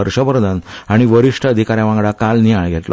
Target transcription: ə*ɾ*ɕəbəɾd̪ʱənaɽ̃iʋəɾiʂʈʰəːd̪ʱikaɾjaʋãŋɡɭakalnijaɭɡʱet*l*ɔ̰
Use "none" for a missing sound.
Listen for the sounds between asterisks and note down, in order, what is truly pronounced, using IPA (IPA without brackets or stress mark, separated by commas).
ɾ, l